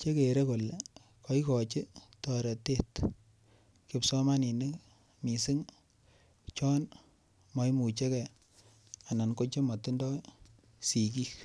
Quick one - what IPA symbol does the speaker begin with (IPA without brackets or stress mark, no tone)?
t͡ʃ